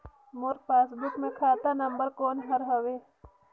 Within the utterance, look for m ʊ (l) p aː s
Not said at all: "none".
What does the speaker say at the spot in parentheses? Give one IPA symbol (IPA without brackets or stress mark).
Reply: ɾ